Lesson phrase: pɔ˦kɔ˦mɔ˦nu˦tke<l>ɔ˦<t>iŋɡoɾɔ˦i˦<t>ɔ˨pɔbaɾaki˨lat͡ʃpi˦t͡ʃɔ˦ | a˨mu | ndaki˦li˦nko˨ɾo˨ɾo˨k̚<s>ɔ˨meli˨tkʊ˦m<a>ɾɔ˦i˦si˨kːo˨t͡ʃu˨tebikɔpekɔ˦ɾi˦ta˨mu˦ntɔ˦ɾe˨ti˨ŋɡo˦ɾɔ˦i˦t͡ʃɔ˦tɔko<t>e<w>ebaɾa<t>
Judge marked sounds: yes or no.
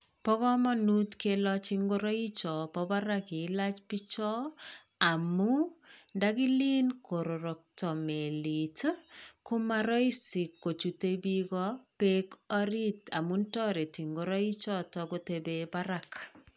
yes, no, no, no, yes, yes, no, no

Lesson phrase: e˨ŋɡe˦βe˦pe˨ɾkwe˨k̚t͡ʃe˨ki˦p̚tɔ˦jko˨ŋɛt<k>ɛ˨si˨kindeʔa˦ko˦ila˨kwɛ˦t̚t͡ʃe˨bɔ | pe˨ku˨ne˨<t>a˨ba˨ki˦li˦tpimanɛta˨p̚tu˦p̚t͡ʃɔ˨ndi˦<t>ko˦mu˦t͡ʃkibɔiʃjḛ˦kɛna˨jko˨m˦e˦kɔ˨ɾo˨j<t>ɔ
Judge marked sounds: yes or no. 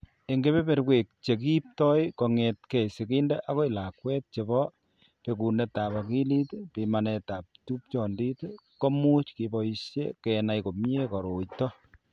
yes, yes, yes, yes

